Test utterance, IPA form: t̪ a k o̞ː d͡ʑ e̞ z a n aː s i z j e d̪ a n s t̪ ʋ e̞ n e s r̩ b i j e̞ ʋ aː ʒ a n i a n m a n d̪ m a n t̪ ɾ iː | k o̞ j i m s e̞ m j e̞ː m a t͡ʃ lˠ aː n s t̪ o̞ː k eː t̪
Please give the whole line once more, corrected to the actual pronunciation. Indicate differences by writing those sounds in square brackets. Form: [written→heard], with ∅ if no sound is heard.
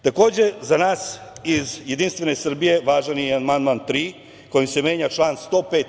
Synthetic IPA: t̪ a k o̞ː d͡ʑ e̞ z a n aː s i z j e d̪ [a→i] n s t̪ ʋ e̞ n e s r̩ b i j e̞ ʋ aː ʒ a n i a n m a n d̪ m a n t̪ ɾ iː | k o̞ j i m s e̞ m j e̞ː [m→ɲ] a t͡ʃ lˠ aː n s t̪ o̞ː [k→p] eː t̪